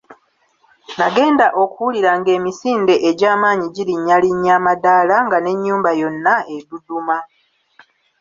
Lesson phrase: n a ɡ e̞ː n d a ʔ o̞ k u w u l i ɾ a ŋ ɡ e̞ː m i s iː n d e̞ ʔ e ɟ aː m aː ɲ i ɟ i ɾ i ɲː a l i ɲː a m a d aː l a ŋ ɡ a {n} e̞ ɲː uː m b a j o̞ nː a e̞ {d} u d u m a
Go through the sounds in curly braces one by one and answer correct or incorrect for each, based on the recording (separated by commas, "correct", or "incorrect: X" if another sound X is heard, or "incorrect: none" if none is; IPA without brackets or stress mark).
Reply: correct, correct